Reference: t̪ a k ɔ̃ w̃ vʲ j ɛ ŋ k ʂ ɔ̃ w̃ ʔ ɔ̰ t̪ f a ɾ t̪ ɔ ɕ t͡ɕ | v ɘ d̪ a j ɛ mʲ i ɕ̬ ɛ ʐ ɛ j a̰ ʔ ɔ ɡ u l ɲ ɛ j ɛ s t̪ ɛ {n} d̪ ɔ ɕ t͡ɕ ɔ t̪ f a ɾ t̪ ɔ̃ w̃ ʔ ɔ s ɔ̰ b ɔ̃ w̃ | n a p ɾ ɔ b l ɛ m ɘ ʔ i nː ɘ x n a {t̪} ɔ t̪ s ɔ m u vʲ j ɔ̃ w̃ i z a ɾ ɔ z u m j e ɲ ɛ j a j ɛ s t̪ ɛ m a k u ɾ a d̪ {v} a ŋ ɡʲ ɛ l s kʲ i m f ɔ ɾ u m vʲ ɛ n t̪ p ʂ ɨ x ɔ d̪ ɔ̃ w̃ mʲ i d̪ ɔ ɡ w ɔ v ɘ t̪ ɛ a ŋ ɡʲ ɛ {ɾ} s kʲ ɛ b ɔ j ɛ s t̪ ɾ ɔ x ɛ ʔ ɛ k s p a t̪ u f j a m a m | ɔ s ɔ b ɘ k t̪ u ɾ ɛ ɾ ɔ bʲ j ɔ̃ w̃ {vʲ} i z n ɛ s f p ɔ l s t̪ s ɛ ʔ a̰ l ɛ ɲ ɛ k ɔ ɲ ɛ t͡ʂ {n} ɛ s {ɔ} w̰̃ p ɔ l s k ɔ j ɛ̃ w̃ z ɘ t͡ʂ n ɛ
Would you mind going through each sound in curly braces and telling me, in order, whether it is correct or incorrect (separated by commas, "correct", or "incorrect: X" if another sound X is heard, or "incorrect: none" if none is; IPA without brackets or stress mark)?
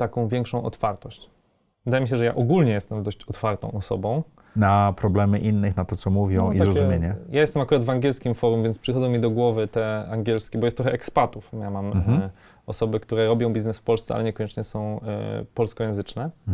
incorrect: m, correct, correct, incorrect: l, incorrect: bʲ, incorrect: ɲ, incorrect: ɔ̃